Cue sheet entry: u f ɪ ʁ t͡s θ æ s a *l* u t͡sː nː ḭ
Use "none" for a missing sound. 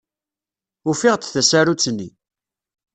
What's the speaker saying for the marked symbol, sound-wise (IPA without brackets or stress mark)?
ɾ